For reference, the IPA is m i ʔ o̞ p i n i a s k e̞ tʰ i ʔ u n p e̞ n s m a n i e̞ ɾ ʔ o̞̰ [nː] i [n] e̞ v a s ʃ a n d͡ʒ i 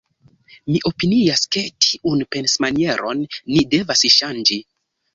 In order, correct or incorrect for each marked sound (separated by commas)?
correct, incorrect